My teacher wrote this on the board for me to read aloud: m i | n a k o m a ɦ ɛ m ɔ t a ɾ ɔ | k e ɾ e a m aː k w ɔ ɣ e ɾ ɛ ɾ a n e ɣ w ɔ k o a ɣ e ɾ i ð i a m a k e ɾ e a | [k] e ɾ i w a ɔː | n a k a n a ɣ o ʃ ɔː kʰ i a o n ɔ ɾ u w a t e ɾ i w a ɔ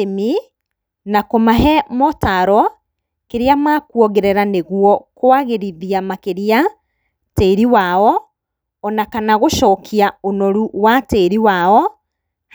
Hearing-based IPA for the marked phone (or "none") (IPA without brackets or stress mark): t